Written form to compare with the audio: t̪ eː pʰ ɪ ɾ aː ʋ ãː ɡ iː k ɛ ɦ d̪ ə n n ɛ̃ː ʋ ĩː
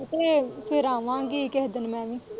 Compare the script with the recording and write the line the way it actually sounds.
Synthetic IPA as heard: t̪ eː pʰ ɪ ɾ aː ʋ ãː ɡ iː k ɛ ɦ d̪ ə n m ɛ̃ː ʋ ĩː